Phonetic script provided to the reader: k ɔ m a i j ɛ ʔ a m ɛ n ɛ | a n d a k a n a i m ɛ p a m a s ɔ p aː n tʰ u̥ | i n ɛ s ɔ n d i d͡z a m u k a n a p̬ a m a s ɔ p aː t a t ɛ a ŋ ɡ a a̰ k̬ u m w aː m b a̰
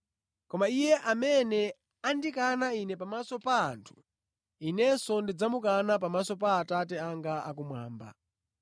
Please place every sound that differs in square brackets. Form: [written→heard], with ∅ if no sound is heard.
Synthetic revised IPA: k ɔ m a i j ɛ ʔ a m ɛ n ɛ | a n d [a→i] k a n a i [m→n] ɛ p a m a s ɔ p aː n tʰ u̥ | i n ɛ s ɔ n d i d͡z a m u k a n a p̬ a m a s ɔ p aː t a t ɛ a ŋ ɡ a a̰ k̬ u m w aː m b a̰